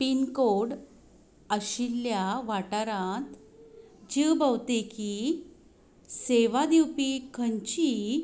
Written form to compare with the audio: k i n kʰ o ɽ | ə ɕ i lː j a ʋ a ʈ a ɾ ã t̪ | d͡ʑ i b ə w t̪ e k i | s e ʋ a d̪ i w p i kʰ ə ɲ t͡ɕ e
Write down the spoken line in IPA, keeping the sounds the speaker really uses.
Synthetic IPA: p i n k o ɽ | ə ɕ i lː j a ʋ a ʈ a ɾ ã t̪ | d͡ʑ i b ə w t̪ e k i | s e ʋ a d̪ i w p i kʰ ə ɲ t͡ɕ i